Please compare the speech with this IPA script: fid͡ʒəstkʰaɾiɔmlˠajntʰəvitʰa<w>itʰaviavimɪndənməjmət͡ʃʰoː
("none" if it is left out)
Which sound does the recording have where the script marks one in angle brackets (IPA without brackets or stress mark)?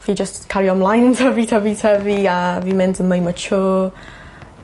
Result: v